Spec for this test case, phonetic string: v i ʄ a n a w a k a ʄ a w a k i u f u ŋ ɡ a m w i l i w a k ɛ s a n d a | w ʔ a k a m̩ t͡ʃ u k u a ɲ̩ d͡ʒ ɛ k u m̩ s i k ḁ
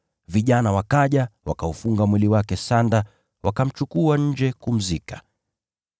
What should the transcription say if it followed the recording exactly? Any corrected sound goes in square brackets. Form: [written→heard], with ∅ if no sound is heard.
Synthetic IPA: v i ʄ a n a w a k a ʄ a w a k [i→a] u f u ŋ ɡ a m w i l i w a k ɛ s a n d a | w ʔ a k a m̩ t͡ʃ u k u a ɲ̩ d͡ʒ ɛ k u m̩ [s→z] i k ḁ